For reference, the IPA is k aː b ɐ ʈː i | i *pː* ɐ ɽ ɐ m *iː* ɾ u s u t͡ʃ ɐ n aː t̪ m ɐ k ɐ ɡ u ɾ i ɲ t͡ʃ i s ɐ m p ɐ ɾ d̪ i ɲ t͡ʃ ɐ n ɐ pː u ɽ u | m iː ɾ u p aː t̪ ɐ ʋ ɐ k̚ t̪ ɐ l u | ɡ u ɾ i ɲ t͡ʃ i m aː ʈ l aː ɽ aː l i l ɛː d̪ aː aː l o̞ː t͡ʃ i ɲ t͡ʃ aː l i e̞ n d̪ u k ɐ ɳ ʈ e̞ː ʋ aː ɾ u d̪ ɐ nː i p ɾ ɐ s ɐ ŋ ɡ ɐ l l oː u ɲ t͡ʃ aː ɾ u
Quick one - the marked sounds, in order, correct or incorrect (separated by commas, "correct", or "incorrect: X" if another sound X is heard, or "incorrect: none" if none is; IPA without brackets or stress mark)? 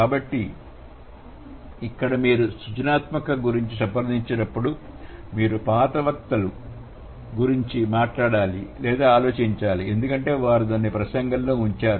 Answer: incorrect: kː, correct